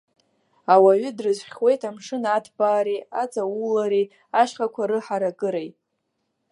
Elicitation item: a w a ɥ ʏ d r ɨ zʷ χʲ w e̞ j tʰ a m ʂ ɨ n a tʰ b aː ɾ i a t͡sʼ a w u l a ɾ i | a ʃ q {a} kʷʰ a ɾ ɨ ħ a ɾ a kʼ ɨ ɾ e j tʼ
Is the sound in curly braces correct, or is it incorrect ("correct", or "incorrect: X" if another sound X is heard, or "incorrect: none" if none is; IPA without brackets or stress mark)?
correct